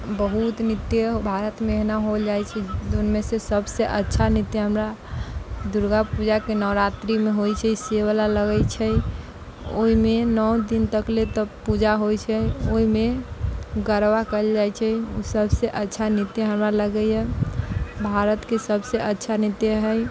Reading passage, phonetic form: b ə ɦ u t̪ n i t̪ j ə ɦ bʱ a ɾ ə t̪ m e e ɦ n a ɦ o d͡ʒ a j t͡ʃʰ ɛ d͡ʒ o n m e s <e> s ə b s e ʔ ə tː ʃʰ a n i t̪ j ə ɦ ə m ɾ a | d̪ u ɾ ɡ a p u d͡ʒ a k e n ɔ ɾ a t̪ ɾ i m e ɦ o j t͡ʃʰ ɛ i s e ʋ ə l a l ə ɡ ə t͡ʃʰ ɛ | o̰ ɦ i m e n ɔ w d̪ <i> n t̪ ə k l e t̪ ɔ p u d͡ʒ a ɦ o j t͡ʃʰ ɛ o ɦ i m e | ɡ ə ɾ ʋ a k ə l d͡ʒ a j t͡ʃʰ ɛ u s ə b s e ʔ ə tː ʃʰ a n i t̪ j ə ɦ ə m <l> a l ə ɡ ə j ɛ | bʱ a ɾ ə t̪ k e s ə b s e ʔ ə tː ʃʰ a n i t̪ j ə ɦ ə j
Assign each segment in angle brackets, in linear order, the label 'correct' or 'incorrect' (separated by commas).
correct, correct, incorrect